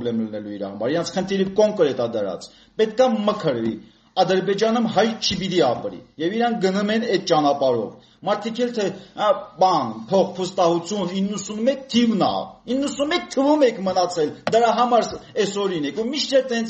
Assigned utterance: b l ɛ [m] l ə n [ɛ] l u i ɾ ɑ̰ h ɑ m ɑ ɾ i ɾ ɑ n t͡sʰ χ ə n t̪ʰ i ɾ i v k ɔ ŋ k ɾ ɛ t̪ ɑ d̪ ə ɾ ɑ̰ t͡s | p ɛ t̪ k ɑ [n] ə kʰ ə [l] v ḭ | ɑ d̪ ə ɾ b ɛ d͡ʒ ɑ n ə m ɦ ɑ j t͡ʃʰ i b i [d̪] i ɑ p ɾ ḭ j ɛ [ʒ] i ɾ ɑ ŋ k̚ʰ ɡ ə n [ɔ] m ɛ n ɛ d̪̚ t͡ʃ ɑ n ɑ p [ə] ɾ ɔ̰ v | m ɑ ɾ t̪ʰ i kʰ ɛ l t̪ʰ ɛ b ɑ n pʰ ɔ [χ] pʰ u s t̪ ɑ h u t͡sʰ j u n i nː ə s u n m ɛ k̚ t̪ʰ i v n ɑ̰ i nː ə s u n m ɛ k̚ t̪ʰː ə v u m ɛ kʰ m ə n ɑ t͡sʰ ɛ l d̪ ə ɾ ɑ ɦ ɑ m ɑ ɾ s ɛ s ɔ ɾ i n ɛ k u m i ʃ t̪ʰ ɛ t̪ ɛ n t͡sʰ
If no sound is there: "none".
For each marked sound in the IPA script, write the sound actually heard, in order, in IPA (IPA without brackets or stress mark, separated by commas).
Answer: m, ɛ, m, ɾ, t̪, v, u, ɑ, χ